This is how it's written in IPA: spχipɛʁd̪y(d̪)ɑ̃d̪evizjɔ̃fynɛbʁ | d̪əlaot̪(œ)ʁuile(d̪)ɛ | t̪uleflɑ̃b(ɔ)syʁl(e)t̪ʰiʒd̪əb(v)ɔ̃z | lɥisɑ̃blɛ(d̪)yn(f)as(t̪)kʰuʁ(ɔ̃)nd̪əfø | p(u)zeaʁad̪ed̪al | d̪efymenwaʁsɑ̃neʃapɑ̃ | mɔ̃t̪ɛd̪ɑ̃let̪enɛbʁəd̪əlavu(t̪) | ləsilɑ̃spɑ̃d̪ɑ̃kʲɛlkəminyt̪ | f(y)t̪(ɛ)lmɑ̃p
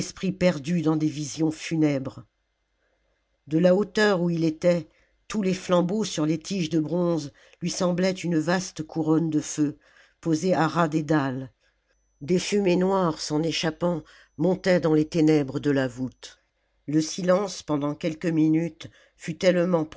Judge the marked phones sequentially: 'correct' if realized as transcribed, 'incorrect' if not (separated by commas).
correct, correct, incorrect, incorrect, correct, incorrect, incorrect, incorrect, correct, incorrect, incorrect, correct, correct, correct